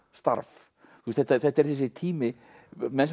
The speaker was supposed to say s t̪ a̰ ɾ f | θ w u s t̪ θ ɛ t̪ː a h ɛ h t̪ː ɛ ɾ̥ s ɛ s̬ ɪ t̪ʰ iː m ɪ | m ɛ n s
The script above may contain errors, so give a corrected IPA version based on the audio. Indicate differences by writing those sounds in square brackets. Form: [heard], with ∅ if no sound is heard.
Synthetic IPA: s t̪ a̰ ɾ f | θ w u s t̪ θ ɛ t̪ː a [θ] ɛ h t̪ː ɛ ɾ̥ [θ] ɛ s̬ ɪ t̪ʰ iː m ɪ | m ɛ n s